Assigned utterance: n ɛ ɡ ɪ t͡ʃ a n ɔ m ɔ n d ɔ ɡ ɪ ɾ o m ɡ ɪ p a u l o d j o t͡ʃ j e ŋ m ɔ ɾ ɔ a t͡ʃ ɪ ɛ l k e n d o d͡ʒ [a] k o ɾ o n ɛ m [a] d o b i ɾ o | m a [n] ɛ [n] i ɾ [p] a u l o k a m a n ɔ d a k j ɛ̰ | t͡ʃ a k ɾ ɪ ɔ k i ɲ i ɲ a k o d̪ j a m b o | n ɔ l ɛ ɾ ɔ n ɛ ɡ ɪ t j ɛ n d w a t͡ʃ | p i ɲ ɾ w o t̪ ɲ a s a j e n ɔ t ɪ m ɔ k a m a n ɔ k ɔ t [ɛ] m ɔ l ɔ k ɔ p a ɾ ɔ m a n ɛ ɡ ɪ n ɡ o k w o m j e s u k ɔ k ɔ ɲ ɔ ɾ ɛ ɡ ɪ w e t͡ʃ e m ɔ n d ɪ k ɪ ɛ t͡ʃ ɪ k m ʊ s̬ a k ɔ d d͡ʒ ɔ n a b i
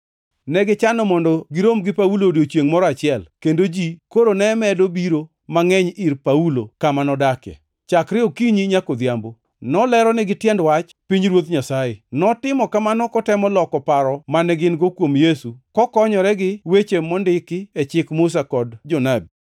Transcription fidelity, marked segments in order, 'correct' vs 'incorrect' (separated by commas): incorrect, incorrect, incorrect, incorrect, correct, correct